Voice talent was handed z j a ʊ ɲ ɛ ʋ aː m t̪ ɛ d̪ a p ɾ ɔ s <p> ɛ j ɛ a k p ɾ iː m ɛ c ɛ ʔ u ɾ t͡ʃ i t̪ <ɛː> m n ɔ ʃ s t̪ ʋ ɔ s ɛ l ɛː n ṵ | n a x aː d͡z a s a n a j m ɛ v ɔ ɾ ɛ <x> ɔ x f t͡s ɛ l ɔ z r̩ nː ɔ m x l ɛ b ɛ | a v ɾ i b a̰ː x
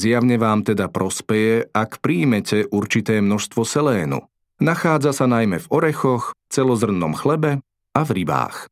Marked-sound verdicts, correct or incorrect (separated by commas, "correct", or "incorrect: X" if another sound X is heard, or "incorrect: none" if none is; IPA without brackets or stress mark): correct, correct, correct